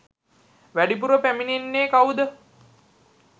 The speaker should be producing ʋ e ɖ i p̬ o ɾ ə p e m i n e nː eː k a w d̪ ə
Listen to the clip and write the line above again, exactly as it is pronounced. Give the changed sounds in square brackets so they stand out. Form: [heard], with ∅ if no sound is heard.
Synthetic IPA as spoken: ʋ [æ] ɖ i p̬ [u] ɾ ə p [æ] m i n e nː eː k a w d̪ ə